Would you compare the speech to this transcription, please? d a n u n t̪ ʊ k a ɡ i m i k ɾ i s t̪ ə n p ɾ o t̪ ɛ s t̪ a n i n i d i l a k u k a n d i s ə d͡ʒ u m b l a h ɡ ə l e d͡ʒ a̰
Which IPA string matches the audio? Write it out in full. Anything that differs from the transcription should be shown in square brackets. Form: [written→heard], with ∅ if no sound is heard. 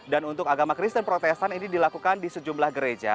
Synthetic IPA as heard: d a n u n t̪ ʊ k a ɡ [i→a] m [i→a] k ɾ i s t̪ ə n p ɾ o t̪ ɛ s t̪ a n i n i d i l a k u k a n d i s ə d͡ʒ u m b l a h ɡ ə [l→ɾ] e d͡ʒ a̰